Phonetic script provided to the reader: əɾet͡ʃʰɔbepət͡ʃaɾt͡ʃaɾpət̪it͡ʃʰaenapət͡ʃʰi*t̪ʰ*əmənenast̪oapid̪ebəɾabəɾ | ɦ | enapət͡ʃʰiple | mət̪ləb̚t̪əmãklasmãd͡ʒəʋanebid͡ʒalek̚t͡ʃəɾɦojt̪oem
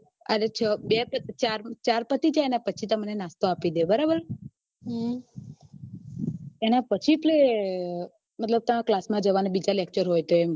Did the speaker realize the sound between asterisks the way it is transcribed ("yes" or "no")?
no